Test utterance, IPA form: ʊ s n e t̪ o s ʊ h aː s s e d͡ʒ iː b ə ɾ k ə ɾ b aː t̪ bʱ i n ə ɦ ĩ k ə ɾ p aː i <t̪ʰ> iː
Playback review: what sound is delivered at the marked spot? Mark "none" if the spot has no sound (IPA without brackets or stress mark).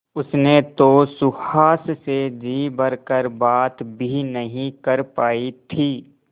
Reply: t̪ʰ